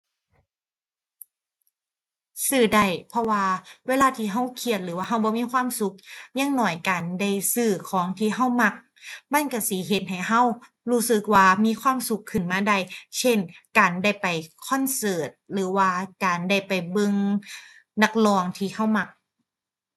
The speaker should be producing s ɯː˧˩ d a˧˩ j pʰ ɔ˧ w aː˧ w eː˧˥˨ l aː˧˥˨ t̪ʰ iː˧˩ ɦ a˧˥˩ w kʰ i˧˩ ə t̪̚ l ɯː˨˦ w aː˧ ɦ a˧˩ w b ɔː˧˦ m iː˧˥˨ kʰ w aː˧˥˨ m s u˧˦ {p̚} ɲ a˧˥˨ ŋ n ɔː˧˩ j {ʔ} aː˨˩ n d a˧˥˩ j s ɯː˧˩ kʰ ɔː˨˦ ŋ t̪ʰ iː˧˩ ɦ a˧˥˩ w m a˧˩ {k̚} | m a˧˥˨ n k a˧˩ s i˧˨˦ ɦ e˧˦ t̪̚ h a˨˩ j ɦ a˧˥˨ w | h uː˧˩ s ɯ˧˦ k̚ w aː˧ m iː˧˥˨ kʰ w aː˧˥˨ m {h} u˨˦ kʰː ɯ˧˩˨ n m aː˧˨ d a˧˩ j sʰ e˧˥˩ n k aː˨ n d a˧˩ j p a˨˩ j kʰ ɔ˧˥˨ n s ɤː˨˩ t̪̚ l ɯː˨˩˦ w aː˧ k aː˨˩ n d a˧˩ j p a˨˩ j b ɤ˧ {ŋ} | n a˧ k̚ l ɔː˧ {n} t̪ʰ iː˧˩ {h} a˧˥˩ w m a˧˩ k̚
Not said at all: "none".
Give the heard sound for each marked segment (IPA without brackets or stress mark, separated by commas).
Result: k̚, k, k̚, s, ŋ, ŋ, h